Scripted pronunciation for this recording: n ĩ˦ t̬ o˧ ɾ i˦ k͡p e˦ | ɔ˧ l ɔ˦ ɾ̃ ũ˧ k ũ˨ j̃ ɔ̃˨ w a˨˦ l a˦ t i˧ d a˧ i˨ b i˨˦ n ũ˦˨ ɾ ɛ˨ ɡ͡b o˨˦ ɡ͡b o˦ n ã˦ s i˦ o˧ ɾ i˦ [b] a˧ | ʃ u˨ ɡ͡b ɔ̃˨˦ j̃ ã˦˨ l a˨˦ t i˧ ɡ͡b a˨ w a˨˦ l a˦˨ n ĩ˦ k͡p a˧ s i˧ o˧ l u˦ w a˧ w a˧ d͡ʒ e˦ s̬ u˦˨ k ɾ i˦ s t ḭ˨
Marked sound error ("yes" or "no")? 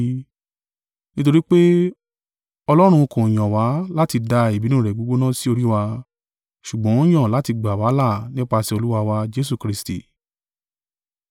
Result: yes